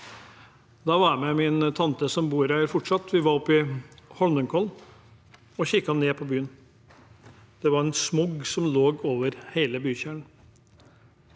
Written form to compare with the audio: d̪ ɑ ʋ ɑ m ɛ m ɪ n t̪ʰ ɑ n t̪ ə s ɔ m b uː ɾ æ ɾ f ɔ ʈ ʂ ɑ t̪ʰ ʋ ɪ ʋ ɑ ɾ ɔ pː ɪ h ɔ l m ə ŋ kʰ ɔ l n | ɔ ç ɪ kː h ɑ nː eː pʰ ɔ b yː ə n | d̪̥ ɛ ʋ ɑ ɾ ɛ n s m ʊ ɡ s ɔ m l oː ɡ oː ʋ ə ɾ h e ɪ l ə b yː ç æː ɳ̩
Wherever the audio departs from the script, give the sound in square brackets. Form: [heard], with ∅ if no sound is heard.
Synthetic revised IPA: d̪ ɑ ʋ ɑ m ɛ m ɪ n t̪ʰ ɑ n t̪ ə s ɔ m b uː ɾ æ ɾ f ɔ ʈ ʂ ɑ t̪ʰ ʋ ɪ ʋ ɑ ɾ ɔ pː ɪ h ɔ l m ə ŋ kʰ ɔ l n | ɔ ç ɪ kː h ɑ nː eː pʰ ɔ b yː ə n | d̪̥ ɛ ʋ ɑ ɾ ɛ n s m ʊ ɡ s ɔ m l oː ɡ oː ʋ ə ɾ h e ɪ l ə b yː ç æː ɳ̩

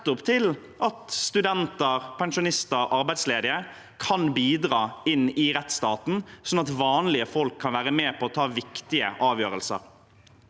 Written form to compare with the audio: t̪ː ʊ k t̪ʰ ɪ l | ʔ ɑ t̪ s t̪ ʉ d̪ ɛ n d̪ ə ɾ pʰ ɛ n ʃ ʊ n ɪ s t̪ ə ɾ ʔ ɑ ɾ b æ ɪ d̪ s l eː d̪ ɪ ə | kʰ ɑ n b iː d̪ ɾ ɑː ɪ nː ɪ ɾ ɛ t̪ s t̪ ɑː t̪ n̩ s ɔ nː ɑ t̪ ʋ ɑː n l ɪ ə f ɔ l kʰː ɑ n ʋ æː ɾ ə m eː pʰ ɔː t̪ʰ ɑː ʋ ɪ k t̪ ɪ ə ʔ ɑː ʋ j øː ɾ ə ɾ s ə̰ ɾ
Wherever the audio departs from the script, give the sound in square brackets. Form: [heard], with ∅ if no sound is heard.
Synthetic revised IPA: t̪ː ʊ [p] t̪ʰ ɪ l | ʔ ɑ t̪ s t̪ ʉ d̪ ɛ n [t̪] ə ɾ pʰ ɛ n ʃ ʊ n ɪ s t̪ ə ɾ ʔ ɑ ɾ b æ ɪ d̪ s l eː d̪ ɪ ə | kʰ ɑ n b iː d̪ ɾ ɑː ɪ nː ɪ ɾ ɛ t̪ s t̪ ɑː t̪ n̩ s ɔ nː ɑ t̪ ʋ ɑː n l ɪ ə f ɔ l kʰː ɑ n ʋ æː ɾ ə m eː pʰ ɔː t̪ʰ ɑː ʋ ɪ k t̪ ɪ ə ʔ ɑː ʋ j øː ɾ ə [l] s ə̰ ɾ

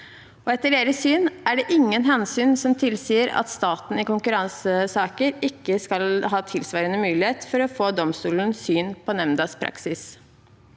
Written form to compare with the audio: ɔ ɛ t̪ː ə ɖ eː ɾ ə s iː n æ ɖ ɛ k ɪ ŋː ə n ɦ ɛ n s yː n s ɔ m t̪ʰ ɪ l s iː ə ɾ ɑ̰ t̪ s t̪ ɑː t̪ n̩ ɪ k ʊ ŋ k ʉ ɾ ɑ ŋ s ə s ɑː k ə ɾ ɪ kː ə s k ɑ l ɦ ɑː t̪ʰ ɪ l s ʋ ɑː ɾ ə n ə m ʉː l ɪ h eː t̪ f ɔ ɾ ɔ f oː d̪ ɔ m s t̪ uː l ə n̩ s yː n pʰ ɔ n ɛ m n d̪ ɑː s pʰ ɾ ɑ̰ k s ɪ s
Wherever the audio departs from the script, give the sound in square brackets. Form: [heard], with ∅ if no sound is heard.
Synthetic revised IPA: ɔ ɛ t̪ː ə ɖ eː ɾ ə s [yː] n æ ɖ ɛ [ʔ] ɪ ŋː ə n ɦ ɛ n s yː n s ɔ m t̪ʰ ɪ l s iː ə ɾ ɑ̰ t̪ s t̪ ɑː t̪ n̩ ɪ k ʊ ŋ k ʉ ɾ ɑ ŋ s ə s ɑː k ə ɾ ɪ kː ə s k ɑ l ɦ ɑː t̪ʰ ɪ l s ʋ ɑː ɾ ə n ə m ʉː l ɪ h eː t̪ f ɔ ɾ ɔ f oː d̪ ɔ m s t̪ uː l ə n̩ s yː n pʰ ɔ n ɛ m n d̪ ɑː s pʰ ɾ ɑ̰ k s ɪ s

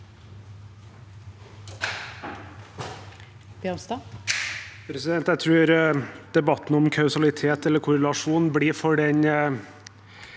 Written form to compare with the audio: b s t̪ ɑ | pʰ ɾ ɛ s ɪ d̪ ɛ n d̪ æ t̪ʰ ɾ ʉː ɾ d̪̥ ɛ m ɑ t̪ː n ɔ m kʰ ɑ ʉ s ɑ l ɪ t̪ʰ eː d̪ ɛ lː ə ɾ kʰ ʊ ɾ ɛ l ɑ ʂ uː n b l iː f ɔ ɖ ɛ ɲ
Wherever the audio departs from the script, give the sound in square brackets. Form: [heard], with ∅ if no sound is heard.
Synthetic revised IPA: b s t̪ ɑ | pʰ ɾ ɛ s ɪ d̪ ɛ n [t̪] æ t̪ʰ ɾ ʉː ɾ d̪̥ ɛ [b] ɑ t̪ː n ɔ m kʰ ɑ ʉ s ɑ l ɪ t̪ʰ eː [t̪] ɛ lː ə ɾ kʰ ʊ ɾ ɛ l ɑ ʂ uː n b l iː f ɔ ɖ ɛ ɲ

